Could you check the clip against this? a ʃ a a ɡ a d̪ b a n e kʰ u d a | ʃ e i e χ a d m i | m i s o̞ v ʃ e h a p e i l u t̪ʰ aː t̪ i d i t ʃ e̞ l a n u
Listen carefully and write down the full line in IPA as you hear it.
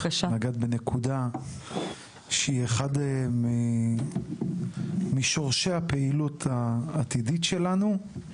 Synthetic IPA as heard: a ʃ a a ɡ a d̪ b e n e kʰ u d a | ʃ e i e χ a d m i | m i ʃ o̞ ʁ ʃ e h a p e i l u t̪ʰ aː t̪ i d i t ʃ e̞ l a n u